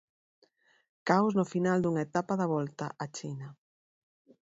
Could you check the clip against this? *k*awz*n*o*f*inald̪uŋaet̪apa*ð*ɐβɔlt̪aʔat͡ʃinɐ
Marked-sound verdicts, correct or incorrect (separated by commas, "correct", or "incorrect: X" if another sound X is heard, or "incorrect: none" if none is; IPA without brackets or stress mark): correct, correct, correct, correct